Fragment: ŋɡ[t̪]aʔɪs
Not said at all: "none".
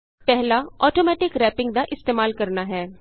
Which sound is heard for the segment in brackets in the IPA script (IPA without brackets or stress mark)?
d̪